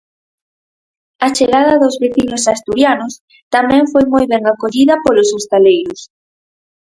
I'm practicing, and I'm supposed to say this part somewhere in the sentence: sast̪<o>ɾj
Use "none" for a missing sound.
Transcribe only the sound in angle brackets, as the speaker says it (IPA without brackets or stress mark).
u